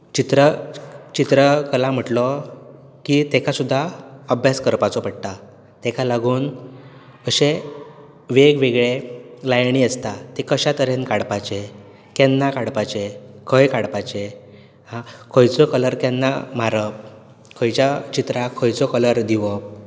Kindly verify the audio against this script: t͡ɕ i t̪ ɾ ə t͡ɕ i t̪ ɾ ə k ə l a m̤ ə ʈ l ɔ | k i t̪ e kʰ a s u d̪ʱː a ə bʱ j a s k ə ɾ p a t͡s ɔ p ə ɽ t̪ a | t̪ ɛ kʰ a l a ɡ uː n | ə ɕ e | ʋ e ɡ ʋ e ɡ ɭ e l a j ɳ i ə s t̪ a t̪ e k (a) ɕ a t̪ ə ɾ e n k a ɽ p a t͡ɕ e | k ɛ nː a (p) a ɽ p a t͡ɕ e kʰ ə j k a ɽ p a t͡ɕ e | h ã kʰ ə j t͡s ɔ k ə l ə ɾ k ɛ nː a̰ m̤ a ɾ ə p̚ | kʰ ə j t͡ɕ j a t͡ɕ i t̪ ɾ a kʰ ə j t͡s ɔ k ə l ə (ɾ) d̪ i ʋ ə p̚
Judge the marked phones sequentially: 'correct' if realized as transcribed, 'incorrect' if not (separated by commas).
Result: incorrect, incorrect, correct